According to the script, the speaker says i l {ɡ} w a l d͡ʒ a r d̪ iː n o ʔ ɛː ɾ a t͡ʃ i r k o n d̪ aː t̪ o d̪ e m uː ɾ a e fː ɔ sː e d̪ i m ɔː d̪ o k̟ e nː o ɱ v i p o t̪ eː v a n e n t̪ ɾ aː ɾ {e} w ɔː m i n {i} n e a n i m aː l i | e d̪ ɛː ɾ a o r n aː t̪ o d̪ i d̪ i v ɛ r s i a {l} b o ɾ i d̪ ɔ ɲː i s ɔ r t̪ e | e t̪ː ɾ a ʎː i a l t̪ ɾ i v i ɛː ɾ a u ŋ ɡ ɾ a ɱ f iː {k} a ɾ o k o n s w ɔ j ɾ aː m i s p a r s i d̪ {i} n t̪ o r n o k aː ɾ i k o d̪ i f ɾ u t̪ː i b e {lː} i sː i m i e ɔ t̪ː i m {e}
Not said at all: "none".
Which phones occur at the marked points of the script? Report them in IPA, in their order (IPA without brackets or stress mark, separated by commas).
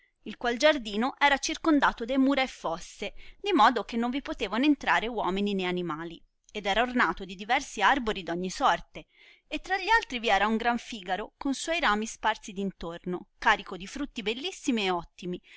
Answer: k, e, i, r, ɡ, i, lː, i